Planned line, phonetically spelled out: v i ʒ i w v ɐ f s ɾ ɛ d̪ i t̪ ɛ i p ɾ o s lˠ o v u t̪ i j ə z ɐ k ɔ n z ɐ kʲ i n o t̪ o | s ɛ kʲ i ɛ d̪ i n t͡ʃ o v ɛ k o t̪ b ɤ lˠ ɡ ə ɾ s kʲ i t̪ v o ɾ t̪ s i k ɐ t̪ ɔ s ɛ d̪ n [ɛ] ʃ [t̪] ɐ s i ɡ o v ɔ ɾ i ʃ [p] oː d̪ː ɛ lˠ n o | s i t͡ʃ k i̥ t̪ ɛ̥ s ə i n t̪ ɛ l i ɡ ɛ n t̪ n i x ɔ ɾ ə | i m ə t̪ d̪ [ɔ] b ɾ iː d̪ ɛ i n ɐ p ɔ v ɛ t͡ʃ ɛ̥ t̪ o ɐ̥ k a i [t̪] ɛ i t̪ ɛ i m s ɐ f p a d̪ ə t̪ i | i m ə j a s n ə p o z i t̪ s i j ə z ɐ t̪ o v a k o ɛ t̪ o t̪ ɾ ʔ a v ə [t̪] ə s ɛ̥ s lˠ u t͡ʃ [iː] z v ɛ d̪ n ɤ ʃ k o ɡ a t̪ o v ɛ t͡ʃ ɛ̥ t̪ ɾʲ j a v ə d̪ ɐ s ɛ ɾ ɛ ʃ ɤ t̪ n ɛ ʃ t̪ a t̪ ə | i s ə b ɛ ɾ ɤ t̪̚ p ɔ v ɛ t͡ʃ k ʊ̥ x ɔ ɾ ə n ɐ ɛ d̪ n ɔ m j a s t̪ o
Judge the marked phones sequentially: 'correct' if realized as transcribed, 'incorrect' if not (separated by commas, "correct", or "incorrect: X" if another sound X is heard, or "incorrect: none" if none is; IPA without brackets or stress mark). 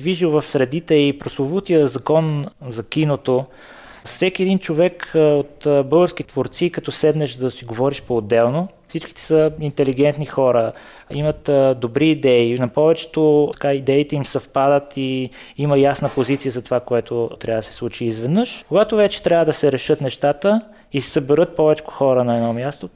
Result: correct, incorrect: d̪, correct, incorrect: o, incorrect: d̪, incorrect: d̪, correct